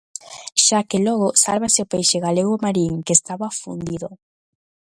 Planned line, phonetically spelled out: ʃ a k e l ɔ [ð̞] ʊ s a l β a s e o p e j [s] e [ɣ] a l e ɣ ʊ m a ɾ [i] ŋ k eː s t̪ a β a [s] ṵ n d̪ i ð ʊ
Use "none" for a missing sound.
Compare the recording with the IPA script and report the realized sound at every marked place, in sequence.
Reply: ɣ̞, ʃ, ɣ, i, f

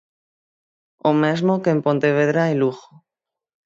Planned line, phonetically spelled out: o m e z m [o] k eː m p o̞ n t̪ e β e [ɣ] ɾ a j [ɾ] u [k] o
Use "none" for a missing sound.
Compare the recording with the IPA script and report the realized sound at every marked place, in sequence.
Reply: o, ð, l, x

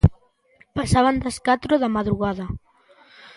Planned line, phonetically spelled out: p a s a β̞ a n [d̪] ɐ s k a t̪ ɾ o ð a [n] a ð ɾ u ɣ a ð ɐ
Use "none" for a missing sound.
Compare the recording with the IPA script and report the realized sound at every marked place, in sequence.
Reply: d̪, m

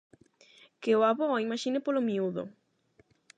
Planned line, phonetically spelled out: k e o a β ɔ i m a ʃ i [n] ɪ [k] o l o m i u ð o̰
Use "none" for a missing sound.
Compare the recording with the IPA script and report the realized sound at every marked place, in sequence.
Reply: n, p

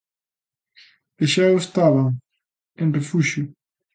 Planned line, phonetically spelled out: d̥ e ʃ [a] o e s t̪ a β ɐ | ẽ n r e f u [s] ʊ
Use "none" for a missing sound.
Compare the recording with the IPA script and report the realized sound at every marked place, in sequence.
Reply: a, ʃ

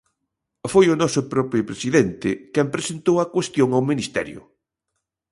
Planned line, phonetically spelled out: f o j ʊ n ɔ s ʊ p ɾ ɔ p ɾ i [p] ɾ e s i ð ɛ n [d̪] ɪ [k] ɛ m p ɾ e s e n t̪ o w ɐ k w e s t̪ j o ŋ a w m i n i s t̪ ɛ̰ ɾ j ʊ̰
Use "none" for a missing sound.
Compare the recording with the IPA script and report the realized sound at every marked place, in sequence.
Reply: p, t̪, k

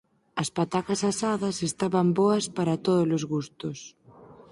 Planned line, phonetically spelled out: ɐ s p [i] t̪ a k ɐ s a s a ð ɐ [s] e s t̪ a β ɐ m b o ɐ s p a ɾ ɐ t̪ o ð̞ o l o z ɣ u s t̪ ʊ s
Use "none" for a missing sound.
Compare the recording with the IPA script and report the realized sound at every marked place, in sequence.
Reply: a, s

